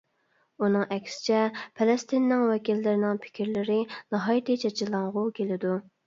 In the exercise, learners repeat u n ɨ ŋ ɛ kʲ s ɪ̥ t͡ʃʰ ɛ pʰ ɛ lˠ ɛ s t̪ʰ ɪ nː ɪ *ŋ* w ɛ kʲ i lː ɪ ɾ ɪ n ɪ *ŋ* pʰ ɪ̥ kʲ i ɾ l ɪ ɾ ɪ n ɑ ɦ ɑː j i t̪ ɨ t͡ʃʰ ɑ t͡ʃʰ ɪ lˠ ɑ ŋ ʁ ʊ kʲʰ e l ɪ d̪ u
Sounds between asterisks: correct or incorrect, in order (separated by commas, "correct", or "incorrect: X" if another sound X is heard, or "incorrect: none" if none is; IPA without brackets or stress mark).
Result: correct, correct